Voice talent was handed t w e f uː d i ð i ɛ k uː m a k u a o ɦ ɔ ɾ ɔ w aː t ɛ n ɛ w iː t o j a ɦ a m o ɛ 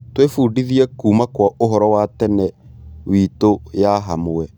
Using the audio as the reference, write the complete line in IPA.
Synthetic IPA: t w e f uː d i ð i ɛ k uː m a k w a o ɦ ɔ ɾ ɔ w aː t ɛ n ɛ w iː t o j a ɦ a m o ɛ